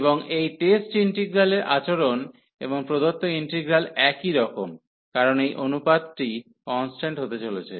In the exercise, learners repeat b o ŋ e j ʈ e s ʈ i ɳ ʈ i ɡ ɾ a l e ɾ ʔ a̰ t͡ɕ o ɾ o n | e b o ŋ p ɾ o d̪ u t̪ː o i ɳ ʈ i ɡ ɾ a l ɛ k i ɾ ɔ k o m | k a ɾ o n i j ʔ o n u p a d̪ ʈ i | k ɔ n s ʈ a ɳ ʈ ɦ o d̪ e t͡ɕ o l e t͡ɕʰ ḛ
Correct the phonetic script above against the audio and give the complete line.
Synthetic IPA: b o ŋ e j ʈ e s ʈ i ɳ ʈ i ɡ ɾ a l e ɾ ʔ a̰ t͡ɕ o ɾ o n | e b o ŋ p ɾ o d̪ o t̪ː o i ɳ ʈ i ɡ ɾ a l ɛ k i ɾ ɔ k o m | k a ɾ o n e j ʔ o n u p a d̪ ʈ i | k ɔ n s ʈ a ɳ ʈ ɦ o t̪ e t͡ɕ o l e t͡ɕʰ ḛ